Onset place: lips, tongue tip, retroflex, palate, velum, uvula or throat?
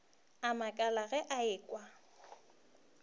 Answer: lips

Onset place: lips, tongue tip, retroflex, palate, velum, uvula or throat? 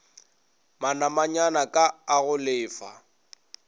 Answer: lips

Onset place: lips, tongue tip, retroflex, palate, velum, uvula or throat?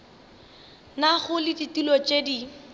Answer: tongue tip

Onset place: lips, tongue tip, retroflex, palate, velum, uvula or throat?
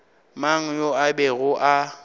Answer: lips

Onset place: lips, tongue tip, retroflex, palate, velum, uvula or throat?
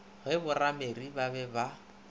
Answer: velum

